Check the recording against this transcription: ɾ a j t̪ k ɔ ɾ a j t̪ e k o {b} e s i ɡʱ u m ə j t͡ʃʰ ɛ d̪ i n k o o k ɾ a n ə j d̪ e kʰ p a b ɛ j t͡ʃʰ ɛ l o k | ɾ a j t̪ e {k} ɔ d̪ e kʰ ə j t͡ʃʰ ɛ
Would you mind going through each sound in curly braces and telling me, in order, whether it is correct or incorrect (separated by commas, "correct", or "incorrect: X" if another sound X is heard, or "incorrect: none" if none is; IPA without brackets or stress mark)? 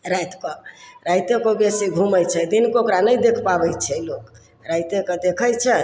correct, correct